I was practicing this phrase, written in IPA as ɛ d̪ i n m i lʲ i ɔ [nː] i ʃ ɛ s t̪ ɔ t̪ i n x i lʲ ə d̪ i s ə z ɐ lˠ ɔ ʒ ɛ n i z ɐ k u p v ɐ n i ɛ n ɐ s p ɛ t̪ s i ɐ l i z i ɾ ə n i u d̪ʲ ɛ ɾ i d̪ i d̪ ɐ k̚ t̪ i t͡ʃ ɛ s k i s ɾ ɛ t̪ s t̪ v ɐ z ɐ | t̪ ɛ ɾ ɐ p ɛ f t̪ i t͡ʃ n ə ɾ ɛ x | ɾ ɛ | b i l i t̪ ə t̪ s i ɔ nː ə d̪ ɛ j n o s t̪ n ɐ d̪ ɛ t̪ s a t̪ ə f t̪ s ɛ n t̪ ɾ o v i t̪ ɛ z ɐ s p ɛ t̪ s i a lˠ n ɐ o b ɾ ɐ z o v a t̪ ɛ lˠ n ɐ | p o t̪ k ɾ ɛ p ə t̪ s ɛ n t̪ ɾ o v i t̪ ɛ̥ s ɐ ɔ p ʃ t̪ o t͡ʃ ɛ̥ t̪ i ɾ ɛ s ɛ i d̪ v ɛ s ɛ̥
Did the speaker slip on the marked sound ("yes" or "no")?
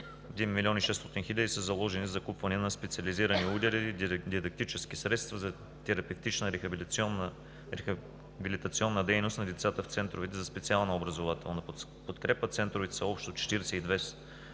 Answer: yes